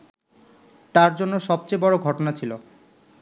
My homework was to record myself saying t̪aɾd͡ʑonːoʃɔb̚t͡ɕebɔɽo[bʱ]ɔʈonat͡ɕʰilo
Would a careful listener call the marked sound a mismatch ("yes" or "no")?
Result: yes